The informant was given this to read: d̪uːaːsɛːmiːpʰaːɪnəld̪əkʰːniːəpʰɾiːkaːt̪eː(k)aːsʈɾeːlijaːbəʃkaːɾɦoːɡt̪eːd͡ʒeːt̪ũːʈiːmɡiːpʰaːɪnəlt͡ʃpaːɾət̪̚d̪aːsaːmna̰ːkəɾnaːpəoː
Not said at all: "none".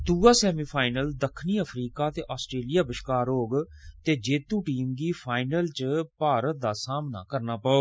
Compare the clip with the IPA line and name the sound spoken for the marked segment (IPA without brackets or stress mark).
ʔ